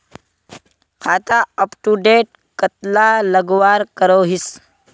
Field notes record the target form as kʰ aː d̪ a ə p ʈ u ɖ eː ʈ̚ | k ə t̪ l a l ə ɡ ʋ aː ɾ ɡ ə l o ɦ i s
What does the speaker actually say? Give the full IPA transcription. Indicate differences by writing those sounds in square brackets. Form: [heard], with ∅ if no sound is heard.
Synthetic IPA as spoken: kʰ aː [t̪] a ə p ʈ u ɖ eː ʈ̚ | k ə t̪ l a l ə ɡ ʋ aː ɾ [k] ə [ɾ] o ɦ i s